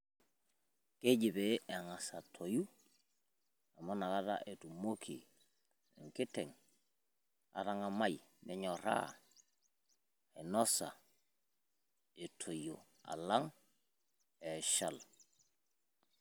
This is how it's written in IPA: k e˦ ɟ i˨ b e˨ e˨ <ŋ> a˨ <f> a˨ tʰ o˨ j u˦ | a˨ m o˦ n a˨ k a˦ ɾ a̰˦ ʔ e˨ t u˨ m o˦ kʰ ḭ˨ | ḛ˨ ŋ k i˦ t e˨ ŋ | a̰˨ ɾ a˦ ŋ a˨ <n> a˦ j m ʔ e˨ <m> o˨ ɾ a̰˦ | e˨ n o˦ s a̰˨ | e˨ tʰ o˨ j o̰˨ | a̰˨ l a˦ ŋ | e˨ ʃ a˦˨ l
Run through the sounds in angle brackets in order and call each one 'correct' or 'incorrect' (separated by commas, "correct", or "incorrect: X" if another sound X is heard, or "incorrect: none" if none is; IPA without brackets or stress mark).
correct, incorrect: s, incorrect: m, incorrect: ɲ